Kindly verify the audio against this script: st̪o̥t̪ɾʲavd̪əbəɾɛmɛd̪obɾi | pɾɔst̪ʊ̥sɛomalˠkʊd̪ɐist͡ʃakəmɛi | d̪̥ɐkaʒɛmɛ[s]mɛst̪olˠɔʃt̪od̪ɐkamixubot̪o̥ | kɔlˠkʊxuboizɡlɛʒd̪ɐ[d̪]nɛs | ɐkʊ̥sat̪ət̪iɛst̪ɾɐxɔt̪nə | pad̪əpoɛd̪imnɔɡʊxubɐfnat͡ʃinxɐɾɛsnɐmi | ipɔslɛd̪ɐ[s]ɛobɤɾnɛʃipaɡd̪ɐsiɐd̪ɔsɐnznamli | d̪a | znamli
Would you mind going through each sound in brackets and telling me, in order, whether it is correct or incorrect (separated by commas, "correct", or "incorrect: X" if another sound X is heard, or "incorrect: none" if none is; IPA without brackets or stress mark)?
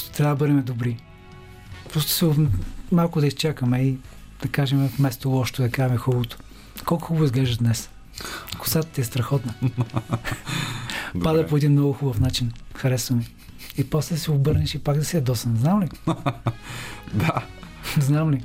incorrect: f, correct, correct